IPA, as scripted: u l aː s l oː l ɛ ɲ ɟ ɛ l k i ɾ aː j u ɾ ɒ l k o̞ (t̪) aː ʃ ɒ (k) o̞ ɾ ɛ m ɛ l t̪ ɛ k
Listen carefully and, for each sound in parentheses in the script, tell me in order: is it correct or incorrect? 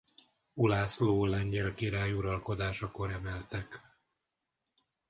incorrect, correct

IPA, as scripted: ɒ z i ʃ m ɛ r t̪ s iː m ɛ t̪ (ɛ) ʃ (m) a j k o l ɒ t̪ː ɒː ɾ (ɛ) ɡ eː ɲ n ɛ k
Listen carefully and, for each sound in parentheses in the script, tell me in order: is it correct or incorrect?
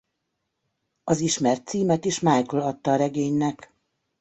incorrect, correct, correct

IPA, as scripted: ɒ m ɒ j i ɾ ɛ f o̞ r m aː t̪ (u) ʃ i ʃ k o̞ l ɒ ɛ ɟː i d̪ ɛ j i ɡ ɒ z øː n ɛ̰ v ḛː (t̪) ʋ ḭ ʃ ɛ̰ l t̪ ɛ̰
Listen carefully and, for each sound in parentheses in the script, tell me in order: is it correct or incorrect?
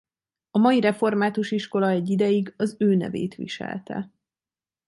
correct, correct

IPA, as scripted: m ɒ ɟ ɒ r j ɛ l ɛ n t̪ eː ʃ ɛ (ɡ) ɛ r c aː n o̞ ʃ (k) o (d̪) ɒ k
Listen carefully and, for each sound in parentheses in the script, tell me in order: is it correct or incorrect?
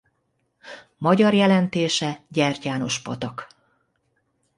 incorrect, incorrect, incorrect

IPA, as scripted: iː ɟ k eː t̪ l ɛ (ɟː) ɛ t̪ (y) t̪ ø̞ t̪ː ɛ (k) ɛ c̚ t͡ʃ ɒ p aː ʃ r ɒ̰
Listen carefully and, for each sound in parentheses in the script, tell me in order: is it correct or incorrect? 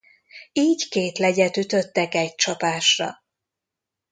incorrect, correct, correct

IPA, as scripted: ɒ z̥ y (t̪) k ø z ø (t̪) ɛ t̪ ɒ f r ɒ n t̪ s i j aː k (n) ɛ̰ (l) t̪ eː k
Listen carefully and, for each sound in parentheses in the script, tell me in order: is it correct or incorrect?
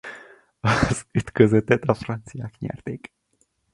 correct, correct, incorrect, incorrect

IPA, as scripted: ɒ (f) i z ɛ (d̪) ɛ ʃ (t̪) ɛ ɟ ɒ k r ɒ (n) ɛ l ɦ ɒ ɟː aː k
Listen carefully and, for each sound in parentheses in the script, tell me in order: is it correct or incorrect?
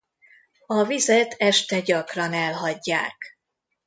incorrect, incorrect, correct, correct

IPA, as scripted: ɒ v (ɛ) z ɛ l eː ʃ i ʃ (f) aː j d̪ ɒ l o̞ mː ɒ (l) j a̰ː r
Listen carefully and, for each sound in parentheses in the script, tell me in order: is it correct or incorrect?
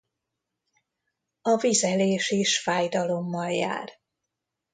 incorrect, correct, correct

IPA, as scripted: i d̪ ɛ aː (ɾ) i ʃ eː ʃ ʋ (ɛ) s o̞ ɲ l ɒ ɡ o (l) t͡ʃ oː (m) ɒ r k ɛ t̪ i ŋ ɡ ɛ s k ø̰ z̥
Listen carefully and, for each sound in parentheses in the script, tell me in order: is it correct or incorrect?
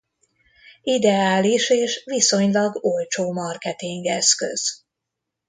incorrect, incorrect, correct, correct

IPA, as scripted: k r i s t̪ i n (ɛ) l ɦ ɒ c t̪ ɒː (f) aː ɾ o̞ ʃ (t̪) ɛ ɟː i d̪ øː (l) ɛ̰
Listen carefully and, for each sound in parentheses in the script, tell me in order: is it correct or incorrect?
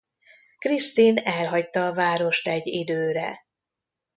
correct, incorrect, correct, incorrect

